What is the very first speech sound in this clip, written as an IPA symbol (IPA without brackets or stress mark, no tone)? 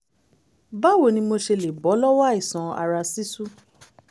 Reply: b